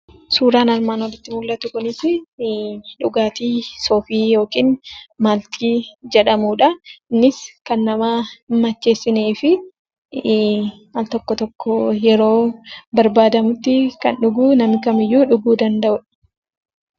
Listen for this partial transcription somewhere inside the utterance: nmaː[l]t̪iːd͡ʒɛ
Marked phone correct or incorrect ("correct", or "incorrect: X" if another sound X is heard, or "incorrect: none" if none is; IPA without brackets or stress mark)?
correct